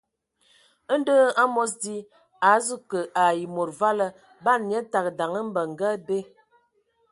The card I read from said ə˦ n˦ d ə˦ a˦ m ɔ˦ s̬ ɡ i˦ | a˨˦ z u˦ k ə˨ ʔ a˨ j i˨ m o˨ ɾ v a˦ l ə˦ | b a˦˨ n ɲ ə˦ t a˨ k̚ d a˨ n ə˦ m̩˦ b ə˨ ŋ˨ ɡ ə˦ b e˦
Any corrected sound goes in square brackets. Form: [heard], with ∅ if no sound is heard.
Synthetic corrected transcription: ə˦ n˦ d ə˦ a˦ m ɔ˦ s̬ [d] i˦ | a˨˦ z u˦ k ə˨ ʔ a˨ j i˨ m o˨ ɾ v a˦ l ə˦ | b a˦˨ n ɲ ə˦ t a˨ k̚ d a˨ [ŋ] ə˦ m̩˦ b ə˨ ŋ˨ ɡ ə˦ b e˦